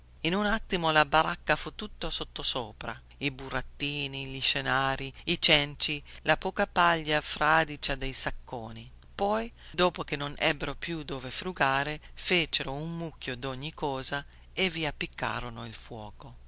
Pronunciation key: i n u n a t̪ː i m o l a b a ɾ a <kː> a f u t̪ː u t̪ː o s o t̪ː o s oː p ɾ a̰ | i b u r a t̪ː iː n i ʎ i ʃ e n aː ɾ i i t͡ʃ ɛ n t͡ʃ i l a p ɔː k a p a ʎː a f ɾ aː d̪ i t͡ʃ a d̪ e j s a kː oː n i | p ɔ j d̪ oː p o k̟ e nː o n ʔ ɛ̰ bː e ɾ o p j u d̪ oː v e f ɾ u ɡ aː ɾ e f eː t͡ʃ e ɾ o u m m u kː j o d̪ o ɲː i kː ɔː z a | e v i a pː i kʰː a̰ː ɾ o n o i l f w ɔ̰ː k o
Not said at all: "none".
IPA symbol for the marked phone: kː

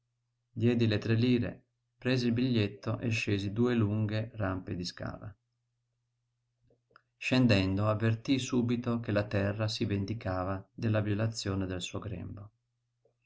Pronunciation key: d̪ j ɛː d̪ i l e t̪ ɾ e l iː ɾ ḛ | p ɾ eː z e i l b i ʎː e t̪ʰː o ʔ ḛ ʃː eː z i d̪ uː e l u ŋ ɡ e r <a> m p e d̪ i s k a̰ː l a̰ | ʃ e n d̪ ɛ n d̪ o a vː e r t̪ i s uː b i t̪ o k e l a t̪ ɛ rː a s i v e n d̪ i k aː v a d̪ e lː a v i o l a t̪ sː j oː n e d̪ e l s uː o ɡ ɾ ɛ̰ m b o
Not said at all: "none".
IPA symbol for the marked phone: a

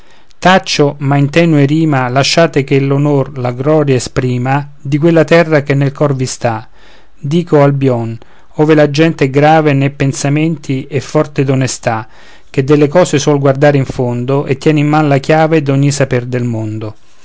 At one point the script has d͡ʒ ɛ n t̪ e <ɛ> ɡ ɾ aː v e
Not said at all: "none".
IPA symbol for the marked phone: ɛ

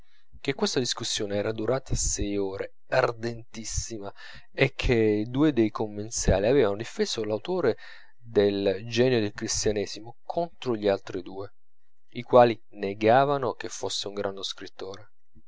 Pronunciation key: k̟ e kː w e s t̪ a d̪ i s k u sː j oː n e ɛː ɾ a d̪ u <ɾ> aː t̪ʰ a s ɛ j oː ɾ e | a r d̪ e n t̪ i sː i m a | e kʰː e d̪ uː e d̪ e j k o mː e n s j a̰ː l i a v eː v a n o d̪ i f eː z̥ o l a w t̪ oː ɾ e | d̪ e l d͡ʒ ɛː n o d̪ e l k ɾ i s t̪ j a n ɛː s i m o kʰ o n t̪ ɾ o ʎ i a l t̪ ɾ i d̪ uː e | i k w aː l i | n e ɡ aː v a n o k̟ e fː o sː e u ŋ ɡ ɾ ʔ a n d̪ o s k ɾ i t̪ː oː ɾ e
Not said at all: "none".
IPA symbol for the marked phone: ɾ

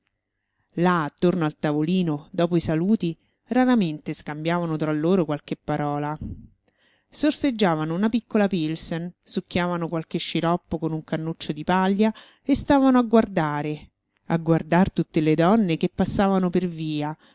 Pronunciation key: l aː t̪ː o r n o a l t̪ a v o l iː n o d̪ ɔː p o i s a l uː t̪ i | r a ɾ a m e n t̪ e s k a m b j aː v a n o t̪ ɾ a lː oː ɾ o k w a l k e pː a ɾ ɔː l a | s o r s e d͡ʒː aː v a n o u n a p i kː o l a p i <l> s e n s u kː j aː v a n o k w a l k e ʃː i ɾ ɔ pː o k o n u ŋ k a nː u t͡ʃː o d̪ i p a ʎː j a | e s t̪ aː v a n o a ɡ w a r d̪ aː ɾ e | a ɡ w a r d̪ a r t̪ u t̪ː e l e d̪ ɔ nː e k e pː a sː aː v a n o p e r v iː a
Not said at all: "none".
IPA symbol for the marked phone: l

